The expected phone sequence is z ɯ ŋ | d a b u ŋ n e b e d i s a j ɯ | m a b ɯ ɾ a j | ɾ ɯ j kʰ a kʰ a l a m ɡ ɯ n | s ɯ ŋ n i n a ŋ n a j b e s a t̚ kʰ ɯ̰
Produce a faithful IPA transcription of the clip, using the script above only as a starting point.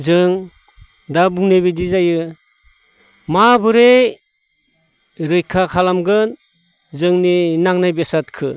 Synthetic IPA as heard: z ɯ ŋ | d a b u ŋ n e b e d i z a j ɯ | m a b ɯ ɾ e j | ɾ ɯ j kʰ a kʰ a l a m ɡ ɯ n | z ɯ ŋ n i n a ŋ n a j b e s a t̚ kʰ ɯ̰